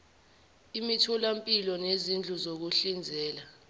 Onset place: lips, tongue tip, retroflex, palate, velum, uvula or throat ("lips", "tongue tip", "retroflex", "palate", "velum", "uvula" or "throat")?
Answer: lips